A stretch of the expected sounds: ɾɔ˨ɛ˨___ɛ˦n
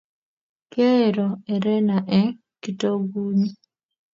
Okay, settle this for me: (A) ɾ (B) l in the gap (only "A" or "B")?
A